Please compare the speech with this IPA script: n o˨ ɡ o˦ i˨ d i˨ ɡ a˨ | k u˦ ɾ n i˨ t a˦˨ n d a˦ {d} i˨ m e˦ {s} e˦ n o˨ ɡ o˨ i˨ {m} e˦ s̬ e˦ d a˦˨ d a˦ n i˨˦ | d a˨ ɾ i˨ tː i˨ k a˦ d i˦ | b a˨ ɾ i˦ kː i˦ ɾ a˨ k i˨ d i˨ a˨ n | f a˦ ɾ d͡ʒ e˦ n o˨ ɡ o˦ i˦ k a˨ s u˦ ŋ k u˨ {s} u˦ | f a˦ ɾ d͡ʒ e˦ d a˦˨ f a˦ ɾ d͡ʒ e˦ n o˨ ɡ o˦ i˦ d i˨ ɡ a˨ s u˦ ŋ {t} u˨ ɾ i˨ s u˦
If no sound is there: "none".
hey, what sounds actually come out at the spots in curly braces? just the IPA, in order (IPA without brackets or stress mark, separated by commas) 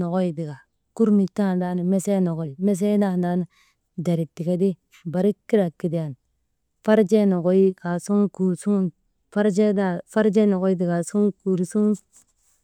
n, s, m, s, k